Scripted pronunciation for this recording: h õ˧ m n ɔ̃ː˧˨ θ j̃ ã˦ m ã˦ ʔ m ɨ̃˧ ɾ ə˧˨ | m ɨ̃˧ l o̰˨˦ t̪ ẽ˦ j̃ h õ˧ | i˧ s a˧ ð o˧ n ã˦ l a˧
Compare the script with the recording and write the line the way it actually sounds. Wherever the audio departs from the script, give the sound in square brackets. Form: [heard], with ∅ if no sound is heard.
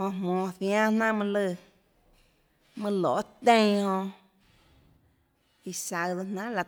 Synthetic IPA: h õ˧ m [m] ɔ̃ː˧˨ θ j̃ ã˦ [n] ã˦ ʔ m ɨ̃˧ [l] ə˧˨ | m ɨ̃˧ l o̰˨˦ t̪ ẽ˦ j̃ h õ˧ | i˧ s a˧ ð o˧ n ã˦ l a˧